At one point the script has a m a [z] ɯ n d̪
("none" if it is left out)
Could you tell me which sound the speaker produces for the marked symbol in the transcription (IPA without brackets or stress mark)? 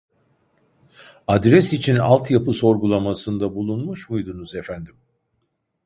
s